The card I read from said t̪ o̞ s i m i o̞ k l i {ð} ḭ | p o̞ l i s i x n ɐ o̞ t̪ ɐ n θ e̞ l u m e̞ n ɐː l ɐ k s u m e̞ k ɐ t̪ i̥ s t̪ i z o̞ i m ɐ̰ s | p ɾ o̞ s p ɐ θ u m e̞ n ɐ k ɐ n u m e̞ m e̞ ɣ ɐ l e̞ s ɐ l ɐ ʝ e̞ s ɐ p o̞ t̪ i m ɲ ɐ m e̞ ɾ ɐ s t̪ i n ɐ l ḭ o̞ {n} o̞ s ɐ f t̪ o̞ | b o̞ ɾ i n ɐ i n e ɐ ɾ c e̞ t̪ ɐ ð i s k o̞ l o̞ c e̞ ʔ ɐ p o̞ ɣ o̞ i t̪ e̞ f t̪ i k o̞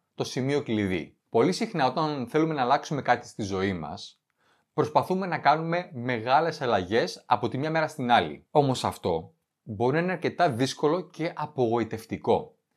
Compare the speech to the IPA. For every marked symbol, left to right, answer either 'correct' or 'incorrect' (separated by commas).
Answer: correct, incorrect